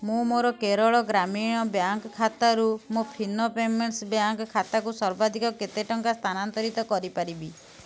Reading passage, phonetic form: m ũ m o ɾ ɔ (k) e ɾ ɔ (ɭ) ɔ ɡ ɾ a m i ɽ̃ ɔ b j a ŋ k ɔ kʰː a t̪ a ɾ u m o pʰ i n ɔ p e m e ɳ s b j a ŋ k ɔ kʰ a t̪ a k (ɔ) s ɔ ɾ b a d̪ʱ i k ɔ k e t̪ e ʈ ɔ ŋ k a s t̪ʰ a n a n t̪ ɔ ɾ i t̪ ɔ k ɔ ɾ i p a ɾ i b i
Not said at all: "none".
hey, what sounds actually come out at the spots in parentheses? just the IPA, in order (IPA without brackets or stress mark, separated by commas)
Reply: k, ɭ, u